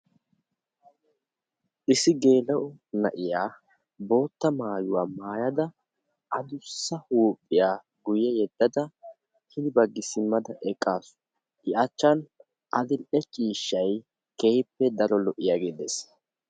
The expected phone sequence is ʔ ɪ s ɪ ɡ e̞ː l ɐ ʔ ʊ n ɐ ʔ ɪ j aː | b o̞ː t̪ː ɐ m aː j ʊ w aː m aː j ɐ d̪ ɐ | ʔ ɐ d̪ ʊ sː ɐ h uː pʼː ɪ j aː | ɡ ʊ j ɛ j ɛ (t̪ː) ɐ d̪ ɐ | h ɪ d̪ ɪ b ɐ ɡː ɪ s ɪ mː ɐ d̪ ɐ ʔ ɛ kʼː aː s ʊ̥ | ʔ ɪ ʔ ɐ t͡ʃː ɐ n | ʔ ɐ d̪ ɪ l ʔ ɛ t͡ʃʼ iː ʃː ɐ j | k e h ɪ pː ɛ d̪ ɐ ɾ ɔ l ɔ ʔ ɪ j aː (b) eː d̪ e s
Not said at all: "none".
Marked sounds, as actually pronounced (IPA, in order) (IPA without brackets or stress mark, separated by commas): d̪ː, ɡ